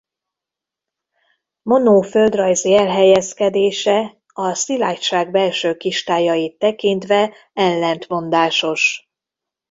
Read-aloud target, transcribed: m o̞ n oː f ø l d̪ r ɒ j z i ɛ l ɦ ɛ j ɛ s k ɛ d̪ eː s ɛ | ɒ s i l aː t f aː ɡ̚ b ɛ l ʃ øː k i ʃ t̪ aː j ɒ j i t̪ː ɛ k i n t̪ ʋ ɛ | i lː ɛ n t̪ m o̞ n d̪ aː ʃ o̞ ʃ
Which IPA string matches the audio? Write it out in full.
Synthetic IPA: m o̞ n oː f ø l d̪ r ɒ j z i ɛ l ɦ ɛ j ɛ s k ɛ d̪ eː ʃ ɛ | ɒ s i l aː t ʃ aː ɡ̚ b ɛ l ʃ øː k i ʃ t̪ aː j ɒ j i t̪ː ɛ k i n t̪ ʋ ɛ | ɛ lː ɛ n t̪ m o̞ n d̪ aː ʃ o̞ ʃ